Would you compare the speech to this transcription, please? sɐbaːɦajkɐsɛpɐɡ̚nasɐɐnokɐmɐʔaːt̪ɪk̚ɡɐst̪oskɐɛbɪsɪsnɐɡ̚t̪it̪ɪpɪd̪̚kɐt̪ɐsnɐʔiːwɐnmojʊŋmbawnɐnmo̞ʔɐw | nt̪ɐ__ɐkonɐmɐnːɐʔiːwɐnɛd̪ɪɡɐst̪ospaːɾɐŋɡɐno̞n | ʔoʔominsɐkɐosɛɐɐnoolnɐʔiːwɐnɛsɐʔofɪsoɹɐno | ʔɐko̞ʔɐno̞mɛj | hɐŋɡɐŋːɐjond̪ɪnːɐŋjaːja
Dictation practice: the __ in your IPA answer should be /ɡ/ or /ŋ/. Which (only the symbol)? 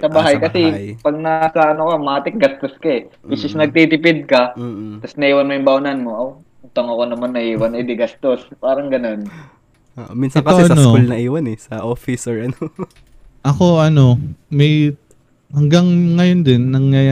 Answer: ŋ